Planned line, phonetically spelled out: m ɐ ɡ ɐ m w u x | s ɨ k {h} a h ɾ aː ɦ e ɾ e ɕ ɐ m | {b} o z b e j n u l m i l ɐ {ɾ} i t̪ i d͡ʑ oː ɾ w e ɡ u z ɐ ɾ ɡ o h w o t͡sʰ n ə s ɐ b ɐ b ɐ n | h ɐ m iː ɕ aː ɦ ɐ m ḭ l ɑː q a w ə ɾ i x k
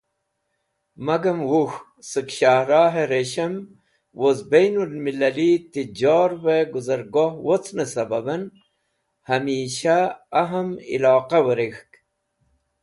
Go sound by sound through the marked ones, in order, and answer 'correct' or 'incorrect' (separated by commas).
incorrect, incorrect, incorrect